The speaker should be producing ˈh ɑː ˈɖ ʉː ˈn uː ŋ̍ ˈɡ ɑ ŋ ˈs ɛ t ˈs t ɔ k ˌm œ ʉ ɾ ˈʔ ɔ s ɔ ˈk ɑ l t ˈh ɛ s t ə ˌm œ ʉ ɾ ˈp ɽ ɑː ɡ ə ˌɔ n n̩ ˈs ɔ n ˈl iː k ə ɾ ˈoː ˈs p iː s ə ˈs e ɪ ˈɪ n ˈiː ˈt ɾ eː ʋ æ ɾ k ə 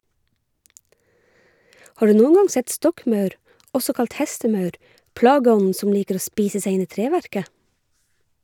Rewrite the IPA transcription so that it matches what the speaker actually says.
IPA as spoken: ˈh ɑː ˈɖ ʉː ˈn uː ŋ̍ ˈɡ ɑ ŋ ˈs ɛ t ˈs t ɔ k ˌm œ ʉ ɾ ˈʔ ɔ s ɔ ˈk ɑ l t ˈh ɛ s t ə ˌm œ ʉ ɾ ˈp ɽ ɑː ɡ ə ˌɔ n n̩ ˈs ɔ n ˈl iː k ə ɾ ˈoː ˈs p iː s ə ˈs e ɪ ˈɪ n ˈiː ˈt ɾ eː ʋ æ ɾ k ə